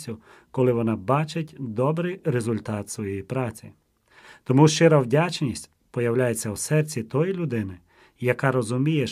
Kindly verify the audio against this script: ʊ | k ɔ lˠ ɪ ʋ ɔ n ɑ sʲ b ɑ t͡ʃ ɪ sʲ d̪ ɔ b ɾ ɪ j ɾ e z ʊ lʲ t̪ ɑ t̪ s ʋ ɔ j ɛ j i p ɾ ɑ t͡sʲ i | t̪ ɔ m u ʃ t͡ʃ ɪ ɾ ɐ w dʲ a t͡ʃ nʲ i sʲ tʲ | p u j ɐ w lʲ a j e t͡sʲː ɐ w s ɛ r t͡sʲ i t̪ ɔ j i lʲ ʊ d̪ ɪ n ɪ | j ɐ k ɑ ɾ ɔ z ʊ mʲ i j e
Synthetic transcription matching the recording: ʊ | k ɔ lˠ ɪ ʋ ɔ n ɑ b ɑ t͡ʃ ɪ tʲ d̪ ɔ b ɾ ɪ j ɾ e z ʊ lʲ t̪ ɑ t̪ s ʋ ɔ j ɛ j i p ɾ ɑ t͡sʲ i | t̪ ɔ m u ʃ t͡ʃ ɪ ɾ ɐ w dʲ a t͡ʃ nʲ i sʲ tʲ | p ɔ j ɐ w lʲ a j e t͡sʲː ɐ w s ɛ r t͡sʲ i t̪ ɔ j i lʲ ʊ d̪ ɪ n ɪ | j ɐ k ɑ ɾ ɔ z ʊ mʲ i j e